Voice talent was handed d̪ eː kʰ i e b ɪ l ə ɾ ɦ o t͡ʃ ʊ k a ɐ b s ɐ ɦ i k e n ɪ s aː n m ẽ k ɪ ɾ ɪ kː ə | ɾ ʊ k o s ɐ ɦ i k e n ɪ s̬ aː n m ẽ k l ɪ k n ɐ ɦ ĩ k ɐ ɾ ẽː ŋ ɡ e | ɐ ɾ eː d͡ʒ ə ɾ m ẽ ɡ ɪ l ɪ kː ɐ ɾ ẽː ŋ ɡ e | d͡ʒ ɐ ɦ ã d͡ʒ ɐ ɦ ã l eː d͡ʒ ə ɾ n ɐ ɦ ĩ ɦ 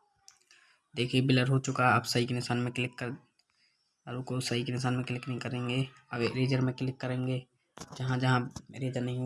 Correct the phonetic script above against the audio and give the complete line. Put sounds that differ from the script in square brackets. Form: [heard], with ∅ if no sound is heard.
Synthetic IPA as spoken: d̪ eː kʰ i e b ɪ l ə ɾ ɦ o t͡ʃ ʊ k a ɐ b s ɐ ɦ i k e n ɪ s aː n m ẽ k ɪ [l] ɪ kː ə | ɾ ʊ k o s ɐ ɦ i k e n ɪ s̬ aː n m ẽ k l ɪ k n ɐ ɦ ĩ k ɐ ɾ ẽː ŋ ɡ e | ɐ ɾ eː d͡ʒ ə ɾ m ẽ [k] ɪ l ɪ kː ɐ ɾ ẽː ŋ ɡ e | d͡ʒ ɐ ɦ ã d͡ʒ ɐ ɦ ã [ɾ] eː d͡ʒ ə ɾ n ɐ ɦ ĩ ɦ